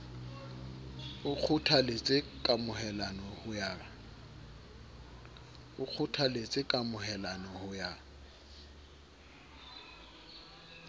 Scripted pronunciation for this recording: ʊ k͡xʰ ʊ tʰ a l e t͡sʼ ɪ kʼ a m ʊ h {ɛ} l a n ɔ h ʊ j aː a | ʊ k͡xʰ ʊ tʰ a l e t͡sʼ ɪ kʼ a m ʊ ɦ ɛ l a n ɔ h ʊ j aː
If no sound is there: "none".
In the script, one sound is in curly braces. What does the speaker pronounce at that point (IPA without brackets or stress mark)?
ɛ